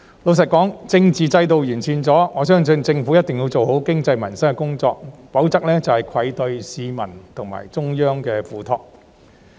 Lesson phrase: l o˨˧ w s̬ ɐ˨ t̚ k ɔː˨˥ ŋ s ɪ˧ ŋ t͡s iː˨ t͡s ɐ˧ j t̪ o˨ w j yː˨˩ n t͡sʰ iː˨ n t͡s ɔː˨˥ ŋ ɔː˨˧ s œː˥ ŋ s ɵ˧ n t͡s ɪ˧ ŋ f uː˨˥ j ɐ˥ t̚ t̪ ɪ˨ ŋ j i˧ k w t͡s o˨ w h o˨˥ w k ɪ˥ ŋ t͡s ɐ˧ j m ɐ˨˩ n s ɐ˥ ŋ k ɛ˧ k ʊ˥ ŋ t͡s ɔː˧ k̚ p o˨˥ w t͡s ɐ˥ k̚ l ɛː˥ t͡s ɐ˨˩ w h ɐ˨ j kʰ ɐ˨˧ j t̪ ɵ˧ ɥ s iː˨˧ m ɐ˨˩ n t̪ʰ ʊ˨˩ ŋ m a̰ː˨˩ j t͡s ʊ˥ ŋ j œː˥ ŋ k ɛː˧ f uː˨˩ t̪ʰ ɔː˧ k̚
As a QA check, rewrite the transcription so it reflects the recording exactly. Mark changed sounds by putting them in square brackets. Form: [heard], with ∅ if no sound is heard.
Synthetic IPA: l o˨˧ w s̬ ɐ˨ t̚ k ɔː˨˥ ŋ [t͡s] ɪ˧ ŋ t͡s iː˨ t͡s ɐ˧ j t̪ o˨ w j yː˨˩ n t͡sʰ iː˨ n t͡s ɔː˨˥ ŋ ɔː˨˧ s œː˥ ŋ s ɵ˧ n t͡s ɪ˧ ŋ f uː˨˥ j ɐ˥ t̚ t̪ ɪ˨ ŋ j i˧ [∅] w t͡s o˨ w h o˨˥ w k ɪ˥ ŋ t͡s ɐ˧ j m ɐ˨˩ n s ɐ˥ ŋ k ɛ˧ k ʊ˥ ŋ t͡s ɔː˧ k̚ p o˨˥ w t͡s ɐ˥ k̚ l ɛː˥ t͡s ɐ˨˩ w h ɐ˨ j kʰ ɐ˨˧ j t̪ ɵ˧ ɥ s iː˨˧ m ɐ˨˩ n t̪ʰ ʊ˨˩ ŋ m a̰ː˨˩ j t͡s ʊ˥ ŋ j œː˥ ŋ k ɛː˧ f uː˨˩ t̪ʰ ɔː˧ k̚

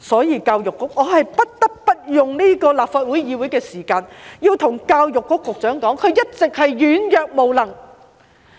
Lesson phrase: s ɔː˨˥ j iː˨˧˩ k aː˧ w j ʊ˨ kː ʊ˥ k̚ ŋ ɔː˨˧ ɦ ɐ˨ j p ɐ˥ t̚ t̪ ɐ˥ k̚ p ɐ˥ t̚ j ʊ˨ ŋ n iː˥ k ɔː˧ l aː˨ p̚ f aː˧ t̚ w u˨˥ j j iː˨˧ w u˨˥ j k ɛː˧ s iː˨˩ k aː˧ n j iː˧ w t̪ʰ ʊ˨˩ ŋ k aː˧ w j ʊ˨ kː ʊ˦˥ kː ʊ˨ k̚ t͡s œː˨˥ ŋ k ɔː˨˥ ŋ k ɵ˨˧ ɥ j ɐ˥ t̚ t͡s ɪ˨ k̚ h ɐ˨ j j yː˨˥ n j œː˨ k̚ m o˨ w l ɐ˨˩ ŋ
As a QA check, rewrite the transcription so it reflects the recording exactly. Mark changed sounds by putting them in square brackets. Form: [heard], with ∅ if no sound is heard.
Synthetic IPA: s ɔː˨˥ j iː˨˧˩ k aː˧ w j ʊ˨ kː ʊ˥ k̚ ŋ ɔː˨˧ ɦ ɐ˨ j p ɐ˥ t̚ t̪ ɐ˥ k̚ p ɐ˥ t̚ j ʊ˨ ŋ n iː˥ k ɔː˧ l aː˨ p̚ f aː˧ t̚ w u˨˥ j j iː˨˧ w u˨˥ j k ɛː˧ s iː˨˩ k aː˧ n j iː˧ w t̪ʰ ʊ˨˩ ŋ k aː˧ w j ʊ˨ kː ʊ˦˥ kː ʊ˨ k̚ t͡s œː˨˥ ŋ k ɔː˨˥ ŋ [kʰ] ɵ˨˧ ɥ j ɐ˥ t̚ t͡s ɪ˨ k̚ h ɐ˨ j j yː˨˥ n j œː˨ k̚ m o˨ w l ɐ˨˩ ŋ

